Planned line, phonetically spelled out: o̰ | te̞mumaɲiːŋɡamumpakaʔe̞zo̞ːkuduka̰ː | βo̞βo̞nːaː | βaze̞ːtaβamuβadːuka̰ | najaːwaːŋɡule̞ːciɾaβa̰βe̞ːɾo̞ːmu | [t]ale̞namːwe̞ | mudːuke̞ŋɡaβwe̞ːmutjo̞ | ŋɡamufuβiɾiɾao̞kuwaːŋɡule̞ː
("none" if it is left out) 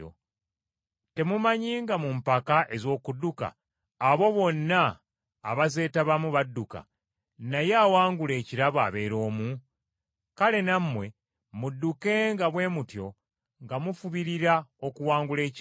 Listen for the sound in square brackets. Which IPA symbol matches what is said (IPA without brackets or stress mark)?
k